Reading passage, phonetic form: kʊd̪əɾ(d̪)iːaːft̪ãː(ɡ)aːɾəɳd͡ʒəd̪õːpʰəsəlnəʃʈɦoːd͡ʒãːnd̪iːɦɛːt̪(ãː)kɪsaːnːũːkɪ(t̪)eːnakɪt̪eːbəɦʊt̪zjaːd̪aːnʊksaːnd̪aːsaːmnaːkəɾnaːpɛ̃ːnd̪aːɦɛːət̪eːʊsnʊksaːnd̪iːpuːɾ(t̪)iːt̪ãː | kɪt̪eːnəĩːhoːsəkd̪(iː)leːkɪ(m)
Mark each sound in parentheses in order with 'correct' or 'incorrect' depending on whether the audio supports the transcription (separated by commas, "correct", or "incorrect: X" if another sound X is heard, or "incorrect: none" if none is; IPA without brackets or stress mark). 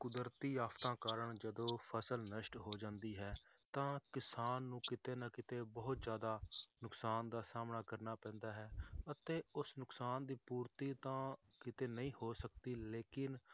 incorrect: t̪, incorrect: k, correct, correct, correct, correct, incorrect: n